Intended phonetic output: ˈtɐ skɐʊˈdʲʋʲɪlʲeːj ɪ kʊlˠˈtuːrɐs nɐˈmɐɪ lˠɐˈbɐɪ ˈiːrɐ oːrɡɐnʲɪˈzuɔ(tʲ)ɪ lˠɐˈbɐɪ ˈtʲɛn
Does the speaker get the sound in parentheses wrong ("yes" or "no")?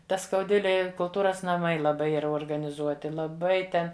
no